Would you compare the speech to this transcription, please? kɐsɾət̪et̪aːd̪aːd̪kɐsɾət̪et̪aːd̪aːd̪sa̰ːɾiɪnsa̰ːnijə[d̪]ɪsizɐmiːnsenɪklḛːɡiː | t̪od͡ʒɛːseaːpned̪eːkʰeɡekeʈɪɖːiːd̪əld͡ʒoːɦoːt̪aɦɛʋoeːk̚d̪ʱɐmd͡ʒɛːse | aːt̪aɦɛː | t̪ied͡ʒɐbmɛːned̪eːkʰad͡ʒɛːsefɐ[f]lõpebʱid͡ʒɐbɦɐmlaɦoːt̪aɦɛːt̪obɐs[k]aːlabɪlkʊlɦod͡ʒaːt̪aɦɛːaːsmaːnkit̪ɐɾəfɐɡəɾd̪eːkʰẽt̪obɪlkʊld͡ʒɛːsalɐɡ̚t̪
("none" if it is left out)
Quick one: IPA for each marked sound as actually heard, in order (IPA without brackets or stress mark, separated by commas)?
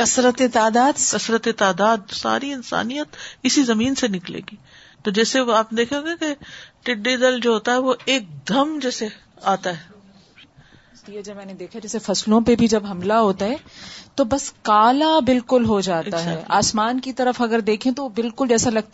t̪, s, k